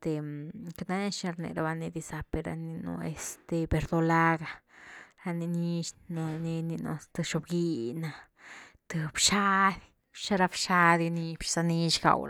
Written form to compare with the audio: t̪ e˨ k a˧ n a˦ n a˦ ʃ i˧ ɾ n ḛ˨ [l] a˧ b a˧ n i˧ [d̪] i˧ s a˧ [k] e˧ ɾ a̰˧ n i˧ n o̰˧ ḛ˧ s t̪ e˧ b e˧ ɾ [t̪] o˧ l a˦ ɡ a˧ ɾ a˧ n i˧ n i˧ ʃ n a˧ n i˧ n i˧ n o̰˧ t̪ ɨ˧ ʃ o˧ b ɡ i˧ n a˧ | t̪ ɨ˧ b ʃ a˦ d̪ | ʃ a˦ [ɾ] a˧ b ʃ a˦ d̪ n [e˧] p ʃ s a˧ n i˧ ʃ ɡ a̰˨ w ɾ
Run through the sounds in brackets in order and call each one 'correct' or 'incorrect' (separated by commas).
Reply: incorrect, correct, incorrect, incorrect, correct, incorrect